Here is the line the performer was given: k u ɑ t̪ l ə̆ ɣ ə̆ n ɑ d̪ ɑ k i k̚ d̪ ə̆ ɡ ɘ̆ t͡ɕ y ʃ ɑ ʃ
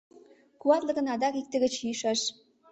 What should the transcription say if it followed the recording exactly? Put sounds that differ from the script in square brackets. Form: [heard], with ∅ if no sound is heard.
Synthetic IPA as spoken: k u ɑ t̪ l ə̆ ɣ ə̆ n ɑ d̪ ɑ k i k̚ [t̪] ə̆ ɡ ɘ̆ t͡ɕ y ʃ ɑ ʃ